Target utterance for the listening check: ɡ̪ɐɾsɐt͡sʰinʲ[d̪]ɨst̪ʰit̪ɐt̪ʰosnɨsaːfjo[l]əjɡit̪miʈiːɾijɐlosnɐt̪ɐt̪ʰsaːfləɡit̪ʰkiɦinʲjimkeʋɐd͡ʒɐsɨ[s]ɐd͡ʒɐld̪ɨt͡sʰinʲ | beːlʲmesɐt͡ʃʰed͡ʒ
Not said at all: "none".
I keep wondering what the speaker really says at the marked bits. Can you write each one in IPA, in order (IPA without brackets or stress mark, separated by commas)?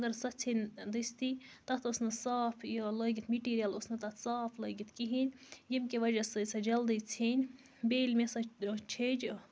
d̪, l, s